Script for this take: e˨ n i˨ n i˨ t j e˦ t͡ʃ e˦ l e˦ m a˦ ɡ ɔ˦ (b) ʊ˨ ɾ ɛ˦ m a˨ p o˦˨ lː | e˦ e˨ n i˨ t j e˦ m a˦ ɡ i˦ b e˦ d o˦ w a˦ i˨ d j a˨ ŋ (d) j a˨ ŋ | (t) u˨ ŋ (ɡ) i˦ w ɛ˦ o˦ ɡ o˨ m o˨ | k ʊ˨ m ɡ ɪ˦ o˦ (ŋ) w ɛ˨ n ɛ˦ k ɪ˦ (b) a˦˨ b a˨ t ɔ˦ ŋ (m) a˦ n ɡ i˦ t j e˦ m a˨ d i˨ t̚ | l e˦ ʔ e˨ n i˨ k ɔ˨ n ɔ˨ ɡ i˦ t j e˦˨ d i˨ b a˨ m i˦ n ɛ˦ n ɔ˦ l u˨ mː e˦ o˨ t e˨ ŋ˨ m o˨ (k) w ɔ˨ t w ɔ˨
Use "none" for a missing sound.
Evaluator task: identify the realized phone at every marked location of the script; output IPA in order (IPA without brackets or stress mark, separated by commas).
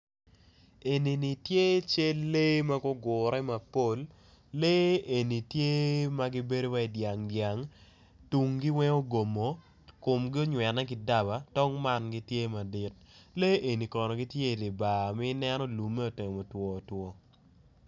ɡ, d, t, ɡ, ɲ, d, m, t